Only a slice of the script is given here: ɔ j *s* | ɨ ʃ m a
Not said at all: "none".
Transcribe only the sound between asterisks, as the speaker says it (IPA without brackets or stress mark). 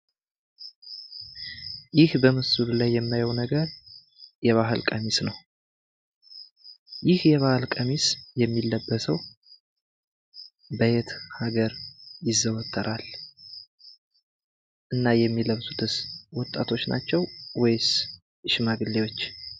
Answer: s